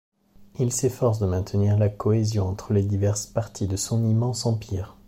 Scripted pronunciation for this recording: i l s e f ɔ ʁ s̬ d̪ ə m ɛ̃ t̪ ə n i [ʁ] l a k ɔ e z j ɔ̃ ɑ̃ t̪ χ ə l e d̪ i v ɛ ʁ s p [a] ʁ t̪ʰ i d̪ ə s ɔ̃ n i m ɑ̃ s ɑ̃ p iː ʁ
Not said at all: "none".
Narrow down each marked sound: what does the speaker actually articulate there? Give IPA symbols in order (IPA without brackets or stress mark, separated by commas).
ʁ, a